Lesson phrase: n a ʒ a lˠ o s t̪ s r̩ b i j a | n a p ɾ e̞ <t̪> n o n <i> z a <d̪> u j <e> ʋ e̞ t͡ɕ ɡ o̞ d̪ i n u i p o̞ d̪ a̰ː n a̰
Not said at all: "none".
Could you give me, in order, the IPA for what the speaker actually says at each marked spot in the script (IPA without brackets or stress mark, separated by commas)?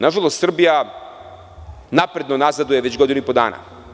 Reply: d̪, a, d̪, e